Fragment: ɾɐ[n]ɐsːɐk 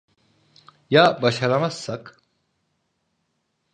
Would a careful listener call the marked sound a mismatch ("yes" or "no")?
yes